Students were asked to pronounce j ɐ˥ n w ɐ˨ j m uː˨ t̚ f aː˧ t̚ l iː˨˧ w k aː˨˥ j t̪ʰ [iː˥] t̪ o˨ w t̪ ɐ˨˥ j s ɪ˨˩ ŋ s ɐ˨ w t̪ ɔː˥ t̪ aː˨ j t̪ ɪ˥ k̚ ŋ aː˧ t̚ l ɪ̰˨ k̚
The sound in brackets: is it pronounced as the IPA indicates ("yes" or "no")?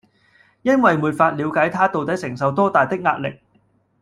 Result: no